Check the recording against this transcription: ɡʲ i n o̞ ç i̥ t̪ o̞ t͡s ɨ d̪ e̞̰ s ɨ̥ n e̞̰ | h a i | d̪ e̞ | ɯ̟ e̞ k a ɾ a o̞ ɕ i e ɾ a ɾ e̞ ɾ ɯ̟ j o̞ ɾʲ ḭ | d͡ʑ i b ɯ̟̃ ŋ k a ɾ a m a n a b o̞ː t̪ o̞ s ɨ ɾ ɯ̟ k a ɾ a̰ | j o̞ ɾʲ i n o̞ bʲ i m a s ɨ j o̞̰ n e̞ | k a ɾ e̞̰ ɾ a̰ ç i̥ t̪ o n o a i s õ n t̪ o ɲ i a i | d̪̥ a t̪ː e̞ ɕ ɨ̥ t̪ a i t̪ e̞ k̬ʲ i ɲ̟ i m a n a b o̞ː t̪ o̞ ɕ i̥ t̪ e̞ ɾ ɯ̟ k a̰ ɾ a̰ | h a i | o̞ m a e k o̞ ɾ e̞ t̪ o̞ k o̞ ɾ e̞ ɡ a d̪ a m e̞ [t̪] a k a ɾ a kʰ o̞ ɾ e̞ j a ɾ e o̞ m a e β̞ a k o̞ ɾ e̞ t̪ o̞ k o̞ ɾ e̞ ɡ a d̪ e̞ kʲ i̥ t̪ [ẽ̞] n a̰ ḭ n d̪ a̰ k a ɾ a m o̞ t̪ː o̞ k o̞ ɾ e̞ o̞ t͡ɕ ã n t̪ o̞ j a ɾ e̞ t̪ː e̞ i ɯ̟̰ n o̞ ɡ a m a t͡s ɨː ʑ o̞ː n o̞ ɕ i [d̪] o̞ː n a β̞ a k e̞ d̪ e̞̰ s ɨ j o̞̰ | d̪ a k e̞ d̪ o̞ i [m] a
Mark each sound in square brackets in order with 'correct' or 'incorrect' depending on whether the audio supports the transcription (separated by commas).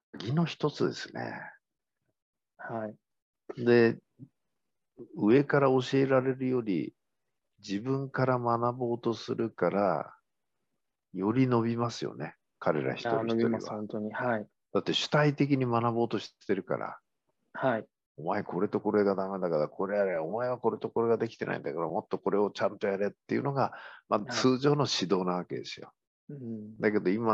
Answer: incorrect, incorrect, correct, correct